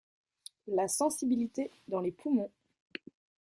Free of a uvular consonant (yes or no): yes